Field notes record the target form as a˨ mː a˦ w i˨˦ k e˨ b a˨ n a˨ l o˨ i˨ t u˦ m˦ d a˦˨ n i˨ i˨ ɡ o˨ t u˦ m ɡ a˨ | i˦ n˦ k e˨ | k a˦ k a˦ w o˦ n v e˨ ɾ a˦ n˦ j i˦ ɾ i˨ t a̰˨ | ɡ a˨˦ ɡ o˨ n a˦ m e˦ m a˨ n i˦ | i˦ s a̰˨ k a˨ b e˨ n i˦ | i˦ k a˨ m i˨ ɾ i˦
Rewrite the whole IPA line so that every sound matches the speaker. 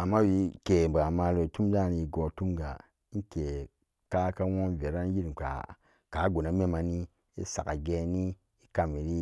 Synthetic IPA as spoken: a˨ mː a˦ w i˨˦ k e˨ b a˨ m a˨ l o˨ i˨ t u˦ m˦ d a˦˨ n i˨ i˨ ɡ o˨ t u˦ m ɡ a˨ | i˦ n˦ k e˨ | k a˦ k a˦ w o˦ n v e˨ ɾ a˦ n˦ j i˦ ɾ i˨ k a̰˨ | k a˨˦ ɡ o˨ n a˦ m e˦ m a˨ n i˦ | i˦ s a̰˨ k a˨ ɡ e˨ n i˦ | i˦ k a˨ m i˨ ɾ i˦